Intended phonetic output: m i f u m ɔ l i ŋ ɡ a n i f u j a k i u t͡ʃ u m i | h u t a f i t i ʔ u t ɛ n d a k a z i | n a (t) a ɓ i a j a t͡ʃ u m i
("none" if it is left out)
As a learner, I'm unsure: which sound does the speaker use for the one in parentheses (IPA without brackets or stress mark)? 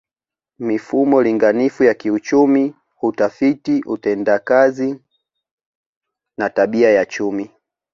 t